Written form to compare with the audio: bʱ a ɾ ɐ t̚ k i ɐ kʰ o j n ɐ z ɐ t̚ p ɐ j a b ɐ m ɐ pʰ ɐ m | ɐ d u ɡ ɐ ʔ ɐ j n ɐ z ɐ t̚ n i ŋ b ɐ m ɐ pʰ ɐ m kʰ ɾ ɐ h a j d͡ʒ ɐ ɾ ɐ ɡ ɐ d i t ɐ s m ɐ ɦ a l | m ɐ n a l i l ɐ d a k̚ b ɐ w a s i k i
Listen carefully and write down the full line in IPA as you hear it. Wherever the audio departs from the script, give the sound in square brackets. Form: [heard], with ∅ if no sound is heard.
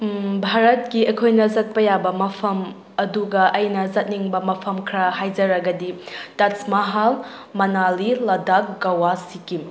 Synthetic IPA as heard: bʱ a ɾ ɐ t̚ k i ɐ kʰ o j n ɐ z ɐ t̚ p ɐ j a b ɐ m ɐ pʰ ɐ m | ɐ d u ɡ ɐ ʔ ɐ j n ɐ z ɐ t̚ n i ŋ b ɐ m ɐ pʰ ɐ m kʰ ɾ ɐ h a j d͡ʒ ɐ ɾ ɐ ɡ ɐ d i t ɐ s m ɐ ɦ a l | m ɐ n a l i l ɐ d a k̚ [ɡ] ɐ w a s i k i